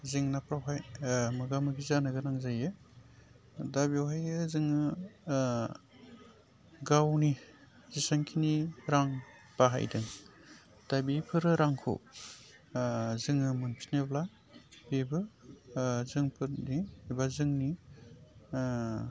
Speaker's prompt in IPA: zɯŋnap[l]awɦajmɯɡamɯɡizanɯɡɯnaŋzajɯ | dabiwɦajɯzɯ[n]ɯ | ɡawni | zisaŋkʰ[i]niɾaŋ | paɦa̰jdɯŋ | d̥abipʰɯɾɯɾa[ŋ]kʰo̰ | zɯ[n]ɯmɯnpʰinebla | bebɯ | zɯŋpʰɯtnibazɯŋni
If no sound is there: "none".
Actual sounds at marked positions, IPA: ɾ, ŋ, i, ŋ, ŋ

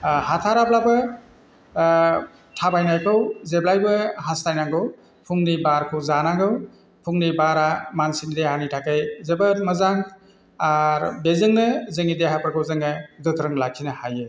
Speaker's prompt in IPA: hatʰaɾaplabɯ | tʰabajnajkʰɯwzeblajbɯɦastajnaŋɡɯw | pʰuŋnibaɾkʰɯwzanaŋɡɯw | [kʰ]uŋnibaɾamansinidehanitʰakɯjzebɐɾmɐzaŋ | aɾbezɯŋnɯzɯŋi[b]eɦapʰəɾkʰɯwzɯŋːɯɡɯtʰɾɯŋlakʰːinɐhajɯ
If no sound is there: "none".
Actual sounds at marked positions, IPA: pʰ, d

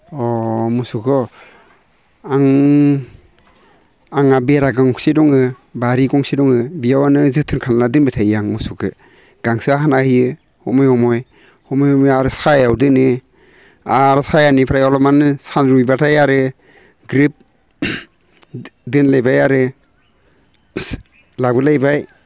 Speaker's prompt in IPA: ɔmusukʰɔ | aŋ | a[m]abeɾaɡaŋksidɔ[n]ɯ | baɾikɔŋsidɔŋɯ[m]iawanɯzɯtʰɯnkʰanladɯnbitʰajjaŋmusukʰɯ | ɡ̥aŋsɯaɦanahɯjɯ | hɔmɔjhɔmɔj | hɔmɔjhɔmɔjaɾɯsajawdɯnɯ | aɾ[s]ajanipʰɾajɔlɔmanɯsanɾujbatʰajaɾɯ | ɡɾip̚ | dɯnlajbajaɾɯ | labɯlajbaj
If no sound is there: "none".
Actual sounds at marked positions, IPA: ŋ, ŋ, b, s

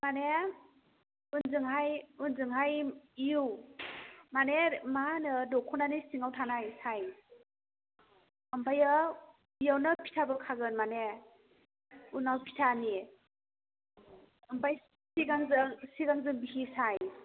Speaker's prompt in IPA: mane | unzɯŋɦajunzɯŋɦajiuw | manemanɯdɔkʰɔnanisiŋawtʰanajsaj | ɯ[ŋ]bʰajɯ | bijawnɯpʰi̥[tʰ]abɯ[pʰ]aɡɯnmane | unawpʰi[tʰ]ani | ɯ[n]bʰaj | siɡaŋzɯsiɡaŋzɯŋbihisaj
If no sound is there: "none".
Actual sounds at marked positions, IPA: m, tʰ, kʰ, tʰ, m

